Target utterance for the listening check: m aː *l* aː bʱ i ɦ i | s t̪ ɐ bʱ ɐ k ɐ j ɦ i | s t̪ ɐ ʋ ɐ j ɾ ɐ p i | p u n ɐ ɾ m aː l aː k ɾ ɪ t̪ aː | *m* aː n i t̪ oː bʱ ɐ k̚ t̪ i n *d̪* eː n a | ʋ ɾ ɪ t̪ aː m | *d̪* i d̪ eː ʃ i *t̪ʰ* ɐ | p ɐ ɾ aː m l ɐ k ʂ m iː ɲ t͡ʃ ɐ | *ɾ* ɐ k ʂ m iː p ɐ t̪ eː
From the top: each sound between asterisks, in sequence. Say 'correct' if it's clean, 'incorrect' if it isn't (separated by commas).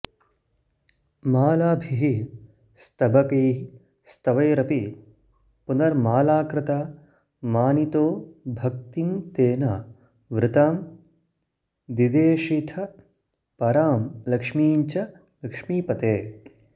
correct, correct, incorrect, correct, correct, incorrect